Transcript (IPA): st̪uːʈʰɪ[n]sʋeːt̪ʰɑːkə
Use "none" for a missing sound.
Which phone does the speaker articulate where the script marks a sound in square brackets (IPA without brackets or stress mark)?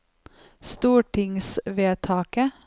ŋ